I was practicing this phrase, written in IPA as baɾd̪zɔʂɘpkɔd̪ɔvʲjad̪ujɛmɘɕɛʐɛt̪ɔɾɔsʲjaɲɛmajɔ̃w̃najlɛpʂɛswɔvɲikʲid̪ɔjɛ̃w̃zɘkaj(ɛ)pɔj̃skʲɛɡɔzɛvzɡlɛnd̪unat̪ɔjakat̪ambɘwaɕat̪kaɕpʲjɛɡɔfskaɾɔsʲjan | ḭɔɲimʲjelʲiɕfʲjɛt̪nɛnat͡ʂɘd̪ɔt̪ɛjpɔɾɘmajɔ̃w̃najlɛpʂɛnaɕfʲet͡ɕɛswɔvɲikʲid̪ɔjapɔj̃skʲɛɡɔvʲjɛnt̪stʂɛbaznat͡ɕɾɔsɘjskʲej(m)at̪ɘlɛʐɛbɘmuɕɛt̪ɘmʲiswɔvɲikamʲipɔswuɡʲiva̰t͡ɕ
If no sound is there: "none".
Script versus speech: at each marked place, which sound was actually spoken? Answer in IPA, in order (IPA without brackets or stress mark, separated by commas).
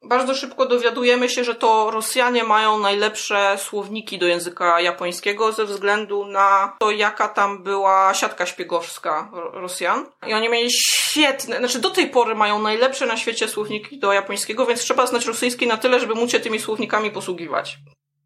a, n